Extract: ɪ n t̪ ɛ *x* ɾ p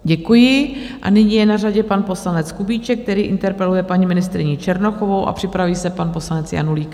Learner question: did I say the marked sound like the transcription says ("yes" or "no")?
no